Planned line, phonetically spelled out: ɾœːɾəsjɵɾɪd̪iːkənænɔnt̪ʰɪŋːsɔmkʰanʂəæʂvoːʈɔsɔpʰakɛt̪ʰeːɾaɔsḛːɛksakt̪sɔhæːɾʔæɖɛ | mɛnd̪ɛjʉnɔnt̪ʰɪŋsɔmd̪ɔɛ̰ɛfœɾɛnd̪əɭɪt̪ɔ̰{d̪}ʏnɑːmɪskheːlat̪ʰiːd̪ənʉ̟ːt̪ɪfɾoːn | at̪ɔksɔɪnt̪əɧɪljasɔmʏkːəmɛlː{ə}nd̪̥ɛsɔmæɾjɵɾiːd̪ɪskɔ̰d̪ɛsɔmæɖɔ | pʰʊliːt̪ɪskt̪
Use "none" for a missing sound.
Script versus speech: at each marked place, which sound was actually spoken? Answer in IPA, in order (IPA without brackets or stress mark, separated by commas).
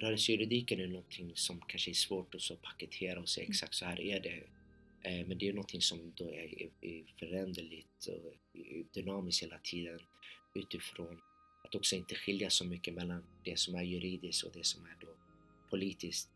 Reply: d̪, a